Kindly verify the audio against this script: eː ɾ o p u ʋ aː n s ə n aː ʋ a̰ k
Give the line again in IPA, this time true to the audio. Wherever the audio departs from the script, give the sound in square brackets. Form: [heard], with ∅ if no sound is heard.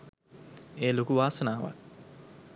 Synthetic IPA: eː [l] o [k] u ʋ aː [∅] s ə n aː ʋ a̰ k